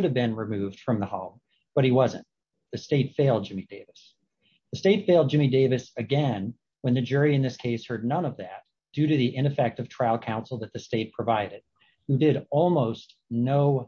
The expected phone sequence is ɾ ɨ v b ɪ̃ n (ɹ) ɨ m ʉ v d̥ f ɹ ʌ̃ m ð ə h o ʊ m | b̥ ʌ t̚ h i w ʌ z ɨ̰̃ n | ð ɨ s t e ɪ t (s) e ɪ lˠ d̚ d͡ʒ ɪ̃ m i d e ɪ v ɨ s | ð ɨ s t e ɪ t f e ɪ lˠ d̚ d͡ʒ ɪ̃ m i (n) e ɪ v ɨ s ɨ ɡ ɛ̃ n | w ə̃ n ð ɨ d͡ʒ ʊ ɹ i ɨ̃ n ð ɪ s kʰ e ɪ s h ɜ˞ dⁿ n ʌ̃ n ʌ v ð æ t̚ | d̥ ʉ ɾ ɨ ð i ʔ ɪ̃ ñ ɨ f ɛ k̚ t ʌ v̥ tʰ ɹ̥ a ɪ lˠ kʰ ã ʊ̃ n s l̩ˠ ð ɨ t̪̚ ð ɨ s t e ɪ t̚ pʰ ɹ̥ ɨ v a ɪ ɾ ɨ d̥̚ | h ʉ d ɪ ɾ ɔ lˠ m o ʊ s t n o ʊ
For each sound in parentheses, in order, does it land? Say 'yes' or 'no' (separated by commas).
yes, no, no